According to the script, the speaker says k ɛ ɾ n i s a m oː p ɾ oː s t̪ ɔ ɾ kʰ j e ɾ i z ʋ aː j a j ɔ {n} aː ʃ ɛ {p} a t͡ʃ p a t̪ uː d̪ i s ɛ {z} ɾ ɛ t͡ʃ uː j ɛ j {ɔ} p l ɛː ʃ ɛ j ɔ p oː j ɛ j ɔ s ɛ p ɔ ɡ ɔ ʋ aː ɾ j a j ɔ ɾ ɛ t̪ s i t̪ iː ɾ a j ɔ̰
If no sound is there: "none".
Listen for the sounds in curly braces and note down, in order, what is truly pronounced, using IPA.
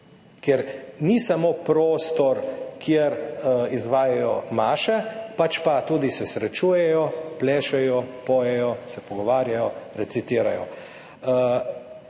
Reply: m, p, s, ɔ

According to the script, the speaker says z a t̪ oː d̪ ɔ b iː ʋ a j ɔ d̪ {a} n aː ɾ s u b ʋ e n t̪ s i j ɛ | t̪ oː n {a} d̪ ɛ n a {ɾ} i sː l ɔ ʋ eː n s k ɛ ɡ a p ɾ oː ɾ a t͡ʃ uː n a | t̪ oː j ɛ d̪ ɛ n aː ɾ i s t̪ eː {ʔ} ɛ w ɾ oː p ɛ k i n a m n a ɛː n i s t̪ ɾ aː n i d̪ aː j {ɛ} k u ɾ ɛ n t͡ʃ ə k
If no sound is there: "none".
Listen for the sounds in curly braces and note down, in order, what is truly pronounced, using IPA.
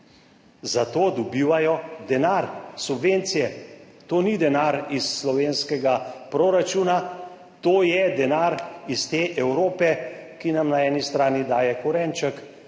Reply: ɛ, i, ɾ, ʔ, ɛ

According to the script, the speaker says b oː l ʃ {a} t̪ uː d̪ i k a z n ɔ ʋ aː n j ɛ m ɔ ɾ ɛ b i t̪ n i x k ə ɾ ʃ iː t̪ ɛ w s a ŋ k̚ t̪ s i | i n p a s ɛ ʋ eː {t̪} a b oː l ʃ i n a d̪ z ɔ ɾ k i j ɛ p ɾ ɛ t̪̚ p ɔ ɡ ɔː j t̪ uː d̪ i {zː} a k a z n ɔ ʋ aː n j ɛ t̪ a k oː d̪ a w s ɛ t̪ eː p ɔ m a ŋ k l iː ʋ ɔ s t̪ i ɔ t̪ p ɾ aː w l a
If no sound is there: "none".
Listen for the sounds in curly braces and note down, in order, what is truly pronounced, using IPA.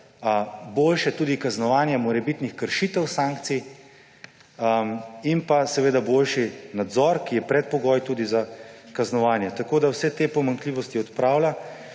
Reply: ɛ, d̪, z

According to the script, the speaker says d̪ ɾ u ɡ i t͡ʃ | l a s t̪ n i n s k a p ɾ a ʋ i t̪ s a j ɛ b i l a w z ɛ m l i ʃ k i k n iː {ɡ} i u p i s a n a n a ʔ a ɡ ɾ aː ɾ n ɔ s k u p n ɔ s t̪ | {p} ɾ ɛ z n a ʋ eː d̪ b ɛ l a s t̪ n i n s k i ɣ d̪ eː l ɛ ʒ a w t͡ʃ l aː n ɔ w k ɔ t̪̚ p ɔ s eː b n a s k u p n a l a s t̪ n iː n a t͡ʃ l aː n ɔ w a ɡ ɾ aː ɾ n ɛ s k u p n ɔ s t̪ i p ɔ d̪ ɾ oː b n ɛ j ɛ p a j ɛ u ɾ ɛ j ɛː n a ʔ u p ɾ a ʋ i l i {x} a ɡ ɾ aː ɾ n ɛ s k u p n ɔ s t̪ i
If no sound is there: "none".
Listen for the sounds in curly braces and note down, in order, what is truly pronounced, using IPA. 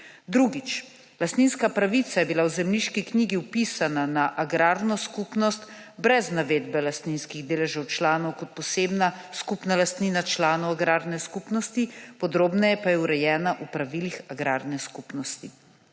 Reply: ɡ, b, x

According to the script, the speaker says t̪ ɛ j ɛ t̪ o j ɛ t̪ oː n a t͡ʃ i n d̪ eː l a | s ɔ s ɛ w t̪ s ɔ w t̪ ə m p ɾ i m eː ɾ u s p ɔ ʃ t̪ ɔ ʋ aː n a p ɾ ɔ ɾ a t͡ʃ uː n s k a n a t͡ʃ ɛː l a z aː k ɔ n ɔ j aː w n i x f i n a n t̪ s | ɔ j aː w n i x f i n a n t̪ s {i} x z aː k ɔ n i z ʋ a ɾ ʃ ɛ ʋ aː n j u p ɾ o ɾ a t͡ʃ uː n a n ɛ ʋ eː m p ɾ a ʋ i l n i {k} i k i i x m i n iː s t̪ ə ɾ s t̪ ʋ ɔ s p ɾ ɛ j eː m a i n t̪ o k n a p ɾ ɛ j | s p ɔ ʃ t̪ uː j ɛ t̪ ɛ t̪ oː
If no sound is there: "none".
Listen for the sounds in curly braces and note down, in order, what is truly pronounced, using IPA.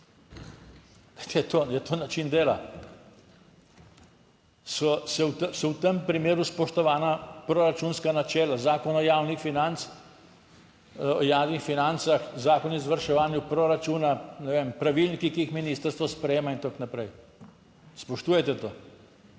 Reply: a, k

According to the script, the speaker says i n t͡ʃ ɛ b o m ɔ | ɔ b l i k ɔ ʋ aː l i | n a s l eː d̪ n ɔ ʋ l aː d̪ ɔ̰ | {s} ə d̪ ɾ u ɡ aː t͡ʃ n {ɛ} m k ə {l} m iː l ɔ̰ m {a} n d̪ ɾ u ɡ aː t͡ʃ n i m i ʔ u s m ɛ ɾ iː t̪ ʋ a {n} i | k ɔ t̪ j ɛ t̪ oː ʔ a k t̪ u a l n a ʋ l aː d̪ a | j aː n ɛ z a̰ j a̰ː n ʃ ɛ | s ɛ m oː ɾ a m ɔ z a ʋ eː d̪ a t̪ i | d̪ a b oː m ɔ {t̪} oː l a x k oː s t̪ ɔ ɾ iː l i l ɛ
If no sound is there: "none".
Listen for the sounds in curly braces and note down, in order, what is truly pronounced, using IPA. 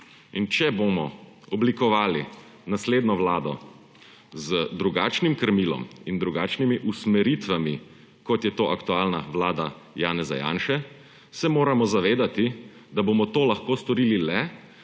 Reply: z, i, ɾ, i, m, t̪

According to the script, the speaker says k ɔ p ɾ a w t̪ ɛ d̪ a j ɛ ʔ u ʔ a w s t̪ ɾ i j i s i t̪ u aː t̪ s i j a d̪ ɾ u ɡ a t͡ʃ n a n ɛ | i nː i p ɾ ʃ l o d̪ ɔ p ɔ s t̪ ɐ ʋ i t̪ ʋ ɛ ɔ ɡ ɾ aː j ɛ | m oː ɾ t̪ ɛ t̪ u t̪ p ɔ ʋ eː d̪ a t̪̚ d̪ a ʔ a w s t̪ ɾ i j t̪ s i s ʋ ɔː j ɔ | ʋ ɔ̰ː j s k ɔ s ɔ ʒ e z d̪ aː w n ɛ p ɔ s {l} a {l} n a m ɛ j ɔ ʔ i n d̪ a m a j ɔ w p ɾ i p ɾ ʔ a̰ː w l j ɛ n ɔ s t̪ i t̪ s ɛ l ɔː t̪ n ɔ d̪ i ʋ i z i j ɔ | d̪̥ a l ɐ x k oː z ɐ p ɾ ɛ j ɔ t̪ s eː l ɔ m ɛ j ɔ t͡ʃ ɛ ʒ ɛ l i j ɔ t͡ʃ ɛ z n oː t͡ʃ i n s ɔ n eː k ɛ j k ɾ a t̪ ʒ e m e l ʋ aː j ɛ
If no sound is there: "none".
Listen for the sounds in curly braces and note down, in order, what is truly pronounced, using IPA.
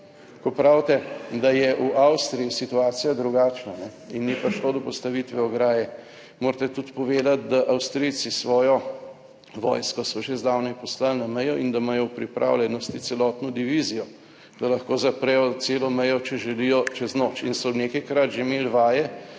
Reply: l, l

